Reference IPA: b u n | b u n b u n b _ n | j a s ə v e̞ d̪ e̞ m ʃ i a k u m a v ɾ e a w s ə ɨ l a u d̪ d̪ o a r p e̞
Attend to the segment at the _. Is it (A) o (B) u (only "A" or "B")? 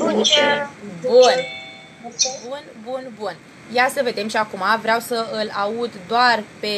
B